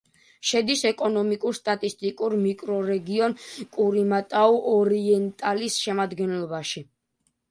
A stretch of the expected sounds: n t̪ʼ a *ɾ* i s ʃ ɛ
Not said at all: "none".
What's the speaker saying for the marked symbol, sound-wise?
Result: l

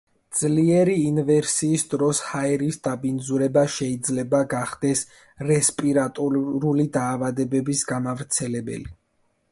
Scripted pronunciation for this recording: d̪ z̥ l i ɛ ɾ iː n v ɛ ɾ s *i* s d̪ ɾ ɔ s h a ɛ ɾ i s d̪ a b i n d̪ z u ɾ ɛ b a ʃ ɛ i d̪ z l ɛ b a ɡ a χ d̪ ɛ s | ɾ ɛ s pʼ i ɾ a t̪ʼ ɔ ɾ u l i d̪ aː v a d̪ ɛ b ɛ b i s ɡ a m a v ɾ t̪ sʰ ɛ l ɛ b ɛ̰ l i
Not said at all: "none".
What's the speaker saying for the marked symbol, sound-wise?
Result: iː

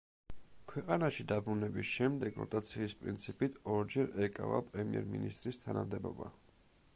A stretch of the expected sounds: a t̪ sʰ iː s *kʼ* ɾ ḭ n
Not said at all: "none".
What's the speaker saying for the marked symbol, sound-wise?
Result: pʼ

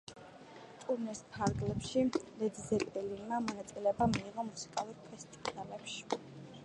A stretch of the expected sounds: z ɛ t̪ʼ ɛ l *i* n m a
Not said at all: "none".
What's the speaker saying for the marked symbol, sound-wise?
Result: i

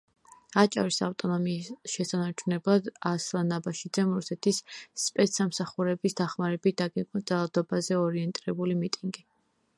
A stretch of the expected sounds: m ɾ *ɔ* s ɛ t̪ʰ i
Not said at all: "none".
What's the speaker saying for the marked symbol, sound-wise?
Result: u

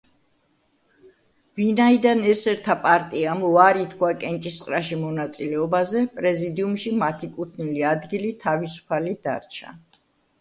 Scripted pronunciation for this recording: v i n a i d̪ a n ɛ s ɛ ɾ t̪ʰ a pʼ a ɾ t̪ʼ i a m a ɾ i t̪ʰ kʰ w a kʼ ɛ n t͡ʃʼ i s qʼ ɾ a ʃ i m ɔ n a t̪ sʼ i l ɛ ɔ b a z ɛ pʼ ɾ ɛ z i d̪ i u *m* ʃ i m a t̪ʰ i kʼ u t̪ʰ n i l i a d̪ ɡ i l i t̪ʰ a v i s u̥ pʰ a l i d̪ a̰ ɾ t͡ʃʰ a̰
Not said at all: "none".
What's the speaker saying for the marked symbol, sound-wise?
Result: m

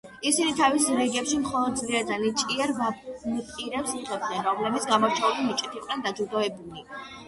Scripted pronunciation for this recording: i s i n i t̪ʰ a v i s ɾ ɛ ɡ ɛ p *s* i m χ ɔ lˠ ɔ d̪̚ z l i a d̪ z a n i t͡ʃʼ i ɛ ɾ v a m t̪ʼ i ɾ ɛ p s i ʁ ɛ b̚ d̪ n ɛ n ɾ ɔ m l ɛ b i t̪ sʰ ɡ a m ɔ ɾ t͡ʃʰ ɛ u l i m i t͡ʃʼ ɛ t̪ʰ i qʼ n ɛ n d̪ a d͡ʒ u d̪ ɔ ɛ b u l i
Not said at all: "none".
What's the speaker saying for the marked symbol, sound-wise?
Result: ʃ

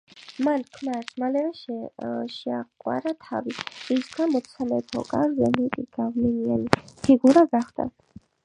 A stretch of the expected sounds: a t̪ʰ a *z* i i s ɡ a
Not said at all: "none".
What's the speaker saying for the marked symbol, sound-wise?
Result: v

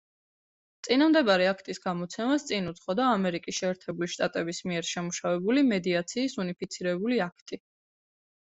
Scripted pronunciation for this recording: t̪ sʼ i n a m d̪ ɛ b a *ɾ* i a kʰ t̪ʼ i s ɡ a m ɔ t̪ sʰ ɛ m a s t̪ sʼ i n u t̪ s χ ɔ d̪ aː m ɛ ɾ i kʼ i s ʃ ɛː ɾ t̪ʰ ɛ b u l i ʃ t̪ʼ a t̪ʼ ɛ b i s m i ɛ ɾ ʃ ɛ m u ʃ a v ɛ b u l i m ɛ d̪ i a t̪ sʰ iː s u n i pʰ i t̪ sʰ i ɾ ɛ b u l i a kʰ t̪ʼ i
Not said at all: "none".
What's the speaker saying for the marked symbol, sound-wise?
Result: ɾ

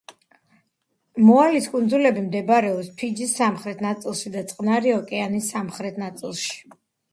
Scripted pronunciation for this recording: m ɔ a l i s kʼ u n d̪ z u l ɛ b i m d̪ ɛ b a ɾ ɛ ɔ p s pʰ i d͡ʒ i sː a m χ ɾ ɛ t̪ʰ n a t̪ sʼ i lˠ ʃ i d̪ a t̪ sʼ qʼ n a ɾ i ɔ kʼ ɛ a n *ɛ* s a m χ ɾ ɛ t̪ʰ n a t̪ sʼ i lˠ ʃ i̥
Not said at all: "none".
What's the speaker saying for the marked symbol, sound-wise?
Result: i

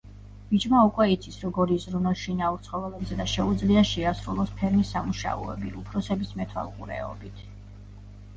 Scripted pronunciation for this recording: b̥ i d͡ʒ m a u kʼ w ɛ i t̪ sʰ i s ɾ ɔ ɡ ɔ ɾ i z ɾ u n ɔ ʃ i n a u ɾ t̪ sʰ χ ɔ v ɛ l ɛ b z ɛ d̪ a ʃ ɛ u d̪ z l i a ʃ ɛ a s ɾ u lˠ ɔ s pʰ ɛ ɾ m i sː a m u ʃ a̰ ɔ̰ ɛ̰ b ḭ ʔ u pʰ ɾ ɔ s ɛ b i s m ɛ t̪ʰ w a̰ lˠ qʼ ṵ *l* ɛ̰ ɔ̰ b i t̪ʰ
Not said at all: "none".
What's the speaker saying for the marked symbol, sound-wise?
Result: ɾ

